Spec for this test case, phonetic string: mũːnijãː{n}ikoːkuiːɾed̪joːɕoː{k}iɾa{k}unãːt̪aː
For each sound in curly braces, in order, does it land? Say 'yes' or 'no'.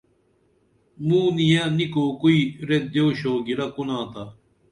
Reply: yes, no, yes

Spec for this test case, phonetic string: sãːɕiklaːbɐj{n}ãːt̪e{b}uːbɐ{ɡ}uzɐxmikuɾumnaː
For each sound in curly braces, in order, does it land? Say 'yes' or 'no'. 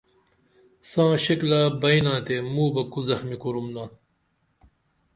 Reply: yes, no, no

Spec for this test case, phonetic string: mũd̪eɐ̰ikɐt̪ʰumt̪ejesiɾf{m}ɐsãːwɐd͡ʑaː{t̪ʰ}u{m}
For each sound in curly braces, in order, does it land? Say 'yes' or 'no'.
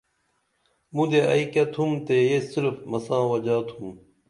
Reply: yes, yes, yes

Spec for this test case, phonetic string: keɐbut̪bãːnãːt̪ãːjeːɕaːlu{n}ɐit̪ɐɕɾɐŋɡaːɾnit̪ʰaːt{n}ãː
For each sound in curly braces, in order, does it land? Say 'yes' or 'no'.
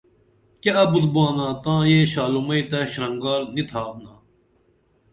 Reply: no, yes

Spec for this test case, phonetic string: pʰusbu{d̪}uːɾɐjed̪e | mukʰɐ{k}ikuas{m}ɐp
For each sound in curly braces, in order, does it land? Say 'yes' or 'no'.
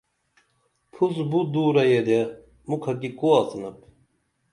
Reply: yes, yes, no

